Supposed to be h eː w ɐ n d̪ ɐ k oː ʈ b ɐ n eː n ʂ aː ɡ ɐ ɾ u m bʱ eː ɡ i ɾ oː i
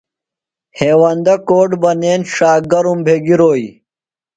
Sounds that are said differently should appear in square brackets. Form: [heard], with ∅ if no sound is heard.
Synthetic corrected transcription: h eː w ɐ n d̪ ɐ k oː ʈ b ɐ n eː n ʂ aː ɡ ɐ ɾ u m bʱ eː ɡ i ɾ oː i